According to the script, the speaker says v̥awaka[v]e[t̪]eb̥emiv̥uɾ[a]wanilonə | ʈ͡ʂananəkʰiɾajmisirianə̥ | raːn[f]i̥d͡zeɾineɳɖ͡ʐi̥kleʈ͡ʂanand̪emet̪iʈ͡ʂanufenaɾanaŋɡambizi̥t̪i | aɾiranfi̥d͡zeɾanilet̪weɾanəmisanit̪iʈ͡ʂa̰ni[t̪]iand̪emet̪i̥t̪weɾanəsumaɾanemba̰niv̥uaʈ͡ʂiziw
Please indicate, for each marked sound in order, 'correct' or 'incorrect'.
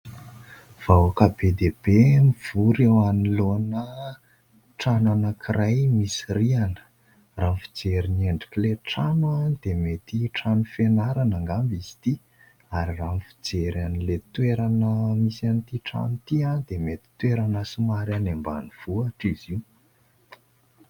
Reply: incorrect: b, incorrect: d̪, incorrect: e, correct, correct

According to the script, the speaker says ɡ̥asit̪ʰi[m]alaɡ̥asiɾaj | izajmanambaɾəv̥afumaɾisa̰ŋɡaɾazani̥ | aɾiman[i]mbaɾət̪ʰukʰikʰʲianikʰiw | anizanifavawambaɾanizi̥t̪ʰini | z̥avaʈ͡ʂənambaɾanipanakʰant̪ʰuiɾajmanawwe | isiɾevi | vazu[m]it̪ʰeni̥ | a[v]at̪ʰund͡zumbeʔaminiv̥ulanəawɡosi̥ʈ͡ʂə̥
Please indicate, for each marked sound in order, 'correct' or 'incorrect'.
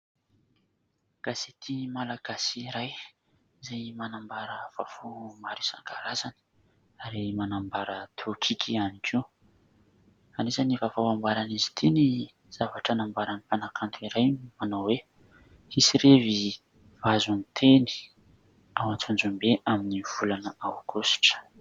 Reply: correct, incorrect: a, incorrect: n, incorrect: w

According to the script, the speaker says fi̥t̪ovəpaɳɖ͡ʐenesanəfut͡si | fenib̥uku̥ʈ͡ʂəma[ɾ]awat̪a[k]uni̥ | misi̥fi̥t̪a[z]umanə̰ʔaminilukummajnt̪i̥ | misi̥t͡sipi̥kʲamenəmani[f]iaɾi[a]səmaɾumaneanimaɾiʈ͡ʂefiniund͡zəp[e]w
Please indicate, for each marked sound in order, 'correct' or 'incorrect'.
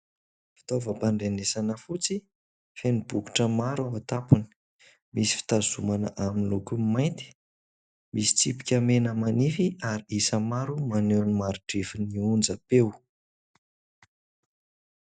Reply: correct, incorrect: p, correct, correct, incorrect: i, correct

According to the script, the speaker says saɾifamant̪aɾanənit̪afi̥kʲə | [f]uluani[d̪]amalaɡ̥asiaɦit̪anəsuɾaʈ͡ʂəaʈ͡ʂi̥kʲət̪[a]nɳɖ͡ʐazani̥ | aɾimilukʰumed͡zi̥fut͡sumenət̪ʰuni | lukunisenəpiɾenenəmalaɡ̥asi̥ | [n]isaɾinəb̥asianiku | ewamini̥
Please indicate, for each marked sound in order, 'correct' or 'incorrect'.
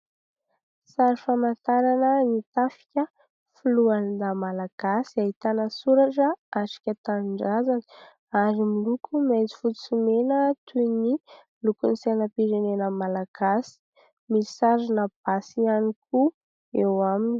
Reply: correct, correct, correct, incorrect: m

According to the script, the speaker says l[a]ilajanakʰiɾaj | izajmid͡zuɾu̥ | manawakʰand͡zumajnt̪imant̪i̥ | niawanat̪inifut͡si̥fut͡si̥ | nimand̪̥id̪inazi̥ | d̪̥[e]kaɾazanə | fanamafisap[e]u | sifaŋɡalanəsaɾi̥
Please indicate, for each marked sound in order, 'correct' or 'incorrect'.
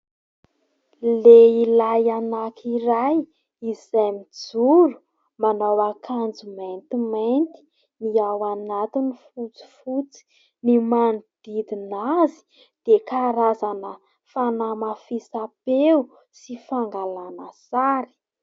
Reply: incorrect: e, correct, correct

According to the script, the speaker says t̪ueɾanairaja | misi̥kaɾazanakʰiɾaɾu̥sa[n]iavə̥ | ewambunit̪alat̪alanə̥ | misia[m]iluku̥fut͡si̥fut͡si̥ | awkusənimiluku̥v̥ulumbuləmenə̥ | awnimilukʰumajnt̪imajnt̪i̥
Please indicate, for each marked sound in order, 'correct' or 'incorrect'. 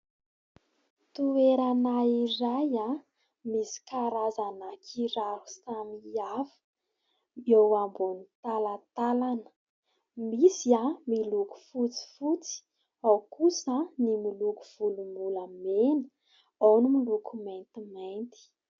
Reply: incorrect: m, correct

